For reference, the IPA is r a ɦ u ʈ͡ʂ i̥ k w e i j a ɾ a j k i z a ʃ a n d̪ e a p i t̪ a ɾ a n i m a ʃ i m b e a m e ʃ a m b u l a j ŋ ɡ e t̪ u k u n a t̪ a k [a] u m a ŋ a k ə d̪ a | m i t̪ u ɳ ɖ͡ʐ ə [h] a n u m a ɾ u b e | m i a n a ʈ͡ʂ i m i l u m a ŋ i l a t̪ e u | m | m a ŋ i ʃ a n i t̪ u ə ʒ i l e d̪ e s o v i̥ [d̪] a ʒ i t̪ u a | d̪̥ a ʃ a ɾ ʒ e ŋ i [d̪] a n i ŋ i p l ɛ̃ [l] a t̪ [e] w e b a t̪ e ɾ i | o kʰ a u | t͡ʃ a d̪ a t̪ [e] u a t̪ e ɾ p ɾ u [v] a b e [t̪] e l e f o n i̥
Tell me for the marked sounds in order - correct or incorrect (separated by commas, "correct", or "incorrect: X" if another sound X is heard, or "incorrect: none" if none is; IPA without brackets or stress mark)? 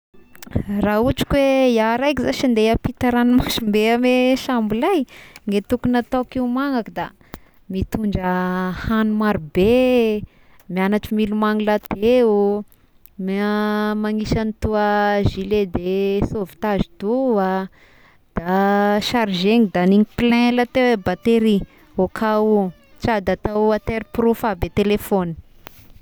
incorrect: i, correct, incorrect: t̪, correct, correct, correct, incorrect: a, incorrect: f, correct